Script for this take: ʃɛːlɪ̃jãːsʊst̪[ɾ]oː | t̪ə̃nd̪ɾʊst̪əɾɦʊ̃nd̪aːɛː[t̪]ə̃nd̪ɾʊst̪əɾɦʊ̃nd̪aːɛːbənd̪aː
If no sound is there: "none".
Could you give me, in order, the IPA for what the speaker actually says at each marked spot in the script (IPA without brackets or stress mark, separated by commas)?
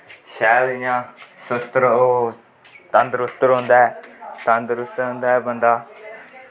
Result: ɾ, t̪